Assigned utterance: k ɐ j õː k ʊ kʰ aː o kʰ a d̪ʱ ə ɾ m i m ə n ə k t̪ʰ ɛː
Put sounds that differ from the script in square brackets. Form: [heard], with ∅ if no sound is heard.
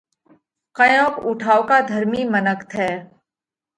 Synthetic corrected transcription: k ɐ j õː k ʊ [ʈʰ] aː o [k] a d̪ʱ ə ɾ m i m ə n ə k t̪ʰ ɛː